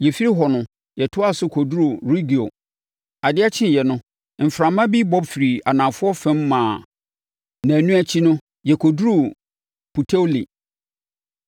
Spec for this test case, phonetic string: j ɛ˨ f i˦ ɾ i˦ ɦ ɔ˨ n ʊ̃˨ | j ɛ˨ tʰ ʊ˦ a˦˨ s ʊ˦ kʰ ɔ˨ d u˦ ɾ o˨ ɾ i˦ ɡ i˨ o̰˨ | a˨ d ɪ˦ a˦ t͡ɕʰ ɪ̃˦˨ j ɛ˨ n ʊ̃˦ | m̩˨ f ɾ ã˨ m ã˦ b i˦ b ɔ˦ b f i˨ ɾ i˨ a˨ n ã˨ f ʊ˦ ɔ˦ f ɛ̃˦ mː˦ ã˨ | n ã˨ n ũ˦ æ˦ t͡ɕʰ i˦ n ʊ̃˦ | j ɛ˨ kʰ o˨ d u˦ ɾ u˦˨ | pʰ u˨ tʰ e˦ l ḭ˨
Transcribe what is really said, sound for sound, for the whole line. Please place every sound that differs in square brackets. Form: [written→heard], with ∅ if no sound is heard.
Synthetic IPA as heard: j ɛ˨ f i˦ ɾ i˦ ɦ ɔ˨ n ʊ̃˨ | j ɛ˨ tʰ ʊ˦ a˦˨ s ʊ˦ kʰ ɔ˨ d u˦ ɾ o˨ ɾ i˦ ɡ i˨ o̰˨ | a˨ d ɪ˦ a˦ t͡ɕʰ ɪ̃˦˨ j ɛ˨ n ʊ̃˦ | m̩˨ f ɾ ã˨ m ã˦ b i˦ b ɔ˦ b f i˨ ɾ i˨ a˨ n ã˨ f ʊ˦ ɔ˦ f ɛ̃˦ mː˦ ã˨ | n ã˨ n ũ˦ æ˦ t͡ɕʰ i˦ n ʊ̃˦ | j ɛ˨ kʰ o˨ d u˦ ɾ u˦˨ | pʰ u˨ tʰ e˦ l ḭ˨

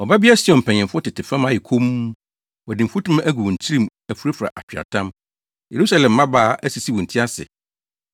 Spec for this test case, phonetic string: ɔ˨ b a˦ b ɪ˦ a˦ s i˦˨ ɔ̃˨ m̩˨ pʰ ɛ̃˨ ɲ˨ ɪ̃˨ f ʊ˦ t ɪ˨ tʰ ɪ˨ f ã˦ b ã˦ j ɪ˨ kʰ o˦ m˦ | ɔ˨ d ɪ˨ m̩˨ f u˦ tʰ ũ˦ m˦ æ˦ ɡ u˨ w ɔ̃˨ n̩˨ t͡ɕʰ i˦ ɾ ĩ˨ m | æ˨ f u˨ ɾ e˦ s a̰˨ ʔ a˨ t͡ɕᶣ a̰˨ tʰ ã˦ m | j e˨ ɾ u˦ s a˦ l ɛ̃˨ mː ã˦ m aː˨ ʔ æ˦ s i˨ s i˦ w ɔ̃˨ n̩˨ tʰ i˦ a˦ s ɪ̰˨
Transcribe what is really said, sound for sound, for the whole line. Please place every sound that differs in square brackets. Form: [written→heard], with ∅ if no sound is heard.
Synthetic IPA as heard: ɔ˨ b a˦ b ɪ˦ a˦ s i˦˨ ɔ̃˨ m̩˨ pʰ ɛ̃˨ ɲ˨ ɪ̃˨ f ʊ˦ t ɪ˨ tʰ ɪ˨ f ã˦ [b→m] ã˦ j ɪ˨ kʰ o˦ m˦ | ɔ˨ d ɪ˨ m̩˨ f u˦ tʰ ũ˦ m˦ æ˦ ɡ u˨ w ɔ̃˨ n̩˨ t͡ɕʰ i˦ ɾ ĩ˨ m | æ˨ f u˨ ɾ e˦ [s→f] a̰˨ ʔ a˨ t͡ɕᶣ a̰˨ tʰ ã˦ m | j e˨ ɾ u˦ s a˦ l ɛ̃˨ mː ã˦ [m→b] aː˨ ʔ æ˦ s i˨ s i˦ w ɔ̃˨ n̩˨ tʰ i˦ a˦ s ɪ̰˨

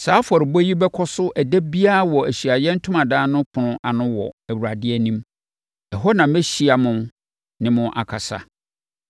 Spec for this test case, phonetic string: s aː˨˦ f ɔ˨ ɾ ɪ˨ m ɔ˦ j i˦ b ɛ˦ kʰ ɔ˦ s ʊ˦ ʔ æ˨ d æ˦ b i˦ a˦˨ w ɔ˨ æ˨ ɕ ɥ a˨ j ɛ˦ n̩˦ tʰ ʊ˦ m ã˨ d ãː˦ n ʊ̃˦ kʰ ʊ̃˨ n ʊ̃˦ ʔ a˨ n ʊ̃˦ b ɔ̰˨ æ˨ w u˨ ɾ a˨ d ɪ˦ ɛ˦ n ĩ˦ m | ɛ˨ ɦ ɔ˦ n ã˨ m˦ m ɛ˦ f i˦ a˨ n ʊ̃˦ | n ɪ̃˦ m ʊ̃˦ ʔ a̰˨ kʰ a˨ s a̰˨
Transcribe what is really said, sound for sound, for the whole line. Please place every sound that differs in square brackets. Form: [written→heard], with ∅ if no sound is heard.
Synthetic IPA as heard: s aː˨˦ f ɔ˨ ɾ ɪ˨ [m→b] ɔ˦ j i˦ b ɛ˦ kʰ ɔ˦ s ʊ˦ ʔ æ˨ d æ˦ b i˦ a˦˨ w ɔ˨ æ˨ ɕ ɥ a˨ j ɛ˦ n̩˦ tʰ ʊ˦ m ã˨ d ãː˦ n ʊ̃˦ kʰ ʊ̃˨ n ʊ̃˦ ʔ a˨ n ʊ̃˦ [b→w] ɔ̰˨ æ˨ w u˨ ɾ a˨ d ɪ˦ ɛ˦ n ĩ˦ m | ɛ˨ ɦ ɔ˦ n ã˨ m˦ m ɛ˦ [f→ɕ] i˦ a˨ [n→m] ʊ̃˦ | n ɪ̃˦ m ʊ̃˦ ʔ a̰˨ kʰ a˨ s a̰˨

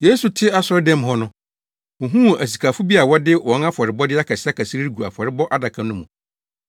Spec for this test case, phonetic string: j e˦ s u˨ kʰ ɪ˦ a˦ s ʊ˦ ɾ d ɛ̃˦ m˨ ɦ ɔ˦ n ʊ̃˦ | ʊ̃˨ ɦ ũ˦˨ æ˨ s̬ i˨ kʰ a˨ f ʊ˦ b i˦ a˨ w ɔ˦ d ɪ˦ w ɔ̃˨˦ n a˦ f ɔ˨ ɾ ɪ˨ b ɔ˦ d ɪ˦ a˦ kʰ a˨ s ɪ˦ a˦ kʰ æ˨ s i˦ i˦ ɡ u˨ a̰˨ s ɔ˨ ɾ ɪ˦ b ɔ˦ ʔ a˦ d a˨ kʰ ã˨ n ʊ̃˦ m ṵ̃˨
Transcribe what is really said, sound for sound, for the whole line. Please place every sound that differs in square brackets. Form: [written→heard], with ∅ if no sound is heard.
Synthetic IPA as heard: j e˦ s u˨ [kʰ→tʰ] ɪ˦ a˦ s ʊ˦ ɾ d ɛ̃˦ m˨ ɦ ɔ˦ n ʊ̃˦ | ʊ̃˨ ɦ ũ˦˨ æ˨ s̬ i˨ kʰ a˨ f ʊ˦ b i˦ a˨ w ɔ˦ d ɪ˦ w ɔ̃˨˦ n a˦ f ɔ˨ ɾ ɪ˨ b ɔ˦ d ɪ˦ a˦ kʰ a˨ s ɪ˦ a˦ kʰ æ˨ s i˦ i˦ ɡ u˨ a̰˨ [s→f] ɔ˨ ɾ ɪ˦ b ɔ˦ ʔ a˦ d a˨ kʰ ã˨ n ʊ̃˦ m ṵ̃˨

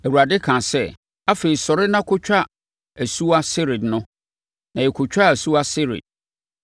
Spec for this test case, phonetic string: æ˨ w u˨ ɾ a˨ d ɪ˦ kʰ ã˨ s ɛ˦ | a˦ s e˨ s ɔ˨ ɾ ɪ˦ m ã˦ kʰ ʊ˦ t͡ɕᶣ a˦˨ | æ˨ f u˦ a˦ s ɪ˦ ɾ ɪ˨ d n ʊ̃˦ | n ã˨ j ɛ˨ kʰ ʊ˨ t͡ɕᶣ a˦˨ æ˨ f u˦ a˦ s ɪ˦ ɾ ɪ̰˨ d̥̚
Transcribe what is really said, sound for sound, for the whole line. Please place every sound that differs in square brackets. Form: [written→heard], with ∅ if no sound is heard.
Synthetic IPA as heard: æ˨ w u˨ ɾ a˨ d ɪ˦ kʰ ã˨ s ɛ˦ | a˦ [s→f] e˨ s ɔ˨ ɾ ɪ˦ [m→n] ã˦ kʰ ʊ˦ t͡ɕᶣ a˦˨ | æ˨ [f→s] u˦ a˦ s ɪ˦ ɾ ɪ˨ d n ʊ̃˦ | n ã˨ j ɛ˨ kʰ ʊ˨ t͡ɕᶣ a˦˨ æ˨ [f→s] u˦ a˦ s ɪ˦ ɾ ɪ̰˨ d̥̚

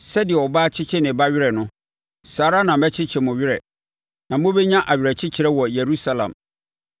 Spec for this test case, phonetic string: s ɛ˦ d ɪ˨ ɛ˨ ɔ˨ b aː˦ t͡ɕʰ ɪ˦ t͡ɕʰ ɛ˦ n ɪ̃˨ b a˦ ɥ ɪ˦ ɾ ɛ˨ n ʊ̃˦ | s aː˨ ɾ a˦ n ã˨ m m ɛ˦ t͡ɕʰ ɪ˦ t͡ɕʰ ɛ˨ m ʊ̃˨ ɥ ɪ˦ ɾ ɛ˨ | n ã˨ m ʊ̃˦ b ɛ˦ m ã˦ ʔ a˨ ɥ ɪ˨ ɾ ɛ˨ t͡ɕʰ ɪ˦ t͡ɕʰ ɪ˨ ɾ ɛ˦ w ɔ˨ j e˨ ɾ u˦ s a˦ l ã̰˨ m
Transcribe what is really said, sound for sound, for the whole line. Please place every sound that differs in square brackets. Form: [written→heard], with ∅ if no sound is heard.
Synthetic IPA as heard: s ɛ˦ d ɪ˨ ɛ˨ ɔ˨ b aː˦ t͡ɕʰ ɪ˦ t͡ɕʰ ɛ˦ n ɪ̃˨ b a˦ ɥ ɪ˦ ɾ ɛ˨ n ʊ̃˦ | s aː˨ ɾ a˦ n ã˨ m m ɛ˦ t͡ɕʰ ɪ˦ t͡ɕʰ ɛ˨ m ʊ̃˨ ɥ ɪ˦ ɾ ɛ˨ | n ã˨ m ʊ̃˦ b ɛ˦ [m→ɲ] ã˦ ʔ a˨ ɥ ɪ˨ ɾ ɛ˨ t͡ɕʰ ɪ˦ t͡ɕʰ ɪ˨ ɾ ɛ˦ w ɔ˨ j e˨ ɾ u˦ s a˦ l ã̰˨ m

